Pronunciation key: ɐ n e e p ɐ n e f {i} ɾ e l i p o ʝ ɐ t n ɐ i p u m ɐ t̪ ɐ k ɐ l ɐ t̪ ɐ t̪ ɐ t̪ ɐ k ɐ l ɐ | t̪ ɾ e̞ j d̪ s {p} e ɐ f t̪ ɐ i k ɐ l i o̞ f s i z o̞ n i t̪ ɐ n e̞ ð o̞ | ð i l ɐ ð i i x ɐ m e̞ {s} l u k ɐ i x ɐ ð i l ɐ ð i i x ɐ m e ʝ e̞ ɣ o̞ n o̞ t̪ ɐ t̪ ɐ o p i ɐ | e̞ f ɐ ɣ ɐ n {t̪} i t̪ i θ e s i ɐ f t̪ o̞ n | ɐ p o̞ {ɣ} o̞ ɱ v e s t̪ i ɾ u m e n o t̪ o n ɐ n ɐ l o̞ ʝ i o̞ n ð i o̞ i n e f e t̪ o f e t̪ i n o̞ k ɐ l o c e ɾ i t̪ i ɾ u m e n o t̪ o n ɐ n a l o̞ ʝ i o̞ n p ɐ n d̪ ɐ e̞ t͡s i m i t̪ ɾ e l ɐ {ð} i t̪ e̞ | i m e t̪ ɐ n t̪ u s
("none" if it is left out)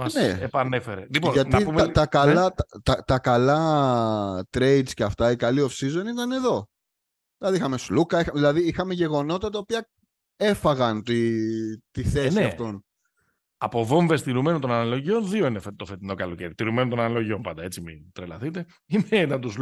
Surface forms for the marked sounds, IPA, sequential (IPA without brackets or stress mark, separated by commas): e, c, s, t̪, v, θ